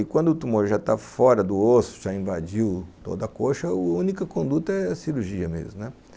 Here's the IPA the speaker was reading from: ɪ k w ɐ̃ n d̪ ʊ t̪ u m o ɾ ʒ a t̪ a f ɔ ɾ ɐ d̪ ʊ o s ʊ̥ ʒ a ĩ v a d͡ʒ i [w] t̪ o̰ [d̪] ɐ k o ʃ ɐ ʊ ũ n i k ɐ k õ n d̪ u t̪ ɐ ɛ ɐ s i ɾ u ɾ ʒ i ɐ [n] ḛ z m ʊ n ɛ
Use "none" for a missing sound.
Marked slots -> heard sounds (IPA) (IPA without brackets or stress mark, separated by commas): w, d̪, m